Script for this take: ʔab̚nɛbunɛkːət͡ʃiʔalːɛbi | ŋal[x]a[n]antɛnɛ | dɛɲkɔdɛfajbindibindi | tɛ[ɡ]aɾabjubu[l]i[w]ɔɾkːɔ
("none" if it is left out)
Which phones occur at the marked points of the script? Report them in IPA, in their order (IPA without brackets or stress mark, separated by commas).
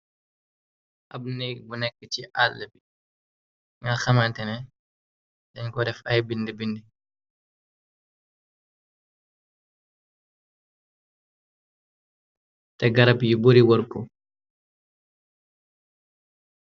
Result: x, m, ɡ, ɾ, w